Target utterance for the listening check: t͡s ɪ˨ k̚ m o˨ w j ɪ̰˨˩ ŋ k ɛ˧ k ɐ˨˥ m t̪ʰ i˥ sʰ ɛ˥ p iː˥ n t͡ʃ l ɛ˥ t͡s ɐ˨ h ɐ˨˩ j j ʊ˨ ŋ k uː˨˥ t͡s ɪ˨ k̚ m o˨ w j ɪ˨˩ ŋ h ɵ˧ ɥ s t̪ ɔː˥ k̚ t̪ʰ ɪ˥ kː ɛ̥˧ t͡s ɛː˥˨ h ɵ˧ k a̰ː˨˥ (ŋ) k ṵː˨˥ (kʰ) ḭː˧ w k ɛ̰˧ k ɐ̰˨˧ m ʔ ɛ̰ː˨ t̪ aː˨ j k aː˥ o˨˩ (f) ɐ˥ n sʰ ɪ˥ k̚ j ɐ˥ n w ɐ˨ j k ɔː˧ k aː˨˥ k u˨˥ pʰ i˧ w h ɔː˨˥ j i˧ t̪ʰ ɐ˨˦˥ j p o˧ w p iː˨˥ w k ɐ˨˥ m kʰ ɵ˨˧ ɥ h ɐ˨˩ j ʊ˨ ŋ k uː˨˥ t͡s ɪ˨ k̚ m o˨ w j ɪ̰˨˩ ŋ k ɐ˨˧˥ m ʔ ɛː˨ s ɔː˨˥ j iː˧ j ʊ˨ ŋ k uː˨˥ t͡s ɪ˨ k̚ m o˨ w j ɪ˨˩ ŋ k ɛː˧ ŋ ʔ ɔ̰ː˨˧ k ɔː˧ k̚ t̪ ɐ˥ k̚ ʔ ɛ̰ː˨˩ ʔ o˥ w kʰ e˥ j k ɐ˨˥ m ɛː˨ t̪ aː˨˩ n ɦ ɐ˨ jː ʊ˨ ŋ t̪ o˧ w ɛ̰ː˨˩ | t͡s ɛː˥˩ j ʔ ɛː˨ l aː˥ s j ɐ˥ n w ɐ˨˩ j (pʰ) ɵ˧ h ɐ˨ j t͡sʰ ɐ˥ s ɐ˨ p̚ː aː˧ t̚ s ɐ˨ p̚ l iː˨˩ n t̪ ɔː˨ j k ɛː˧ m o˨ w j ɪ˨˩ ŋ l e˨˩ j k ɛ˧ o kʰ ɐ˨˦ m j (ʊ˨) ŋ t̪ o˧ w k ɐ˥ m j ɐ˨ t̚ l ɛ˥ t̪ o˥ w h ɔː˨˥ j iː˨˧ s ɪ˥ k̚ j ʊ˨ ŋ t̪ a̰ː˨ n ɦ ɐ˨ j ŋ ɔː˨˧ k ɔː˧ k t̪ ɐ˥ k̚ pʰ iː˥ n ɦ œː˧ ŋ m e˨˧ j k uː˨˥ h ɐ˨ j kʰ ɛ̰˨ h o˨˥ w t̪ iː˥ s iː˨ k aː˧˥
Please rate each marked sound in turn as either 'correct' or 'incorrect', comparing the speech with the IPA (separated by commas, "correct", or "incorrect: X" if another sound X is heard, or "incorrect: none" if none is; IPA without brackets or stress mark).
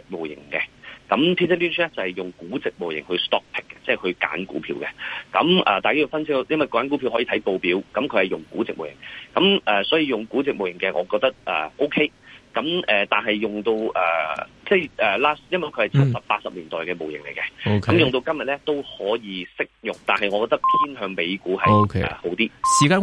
incorrect: n, incorrect: pʰ, correct, incorrect: kʰ, correct